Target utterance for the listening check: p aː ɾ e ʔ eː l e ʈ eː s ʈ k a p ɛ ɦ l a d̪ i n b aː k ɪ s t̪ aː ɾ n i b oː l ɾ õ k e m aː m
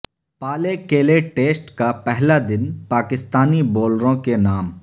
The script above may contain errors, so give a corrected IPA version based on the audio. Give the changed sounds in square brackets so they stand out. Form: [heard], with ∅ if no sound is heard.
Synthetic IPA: p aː [l] e [k] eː l e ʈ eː s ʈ k a p ɛ ɦ l a d̪ [ɪ] n [p] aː k ɪ s t̪ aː [∅] n i b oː l ɾ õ k e [n] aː m